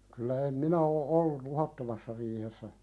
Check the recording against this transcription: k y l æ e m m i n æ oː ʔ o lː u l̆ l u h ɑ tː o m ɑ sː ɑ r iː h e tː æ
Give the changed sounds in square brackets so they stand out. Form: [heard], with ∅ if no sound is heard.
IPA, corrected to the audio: k y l æ e m m i n æ oː ʔ o lː u l̆ l u h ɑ tː o m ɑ sː ɑ r iː h e [sː] æ